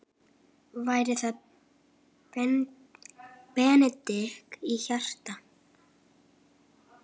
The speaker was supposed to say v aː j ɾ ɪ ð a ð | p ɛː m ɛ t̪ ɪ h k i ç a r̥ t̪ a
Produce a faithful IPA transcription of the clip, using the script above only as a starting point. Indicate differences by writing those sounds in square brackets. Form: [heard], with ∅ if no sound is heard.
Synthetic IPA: v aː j ɾ ɪ [θ] a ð | p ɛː [n] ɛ t̪ ɪ h k i ç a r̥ t̪ a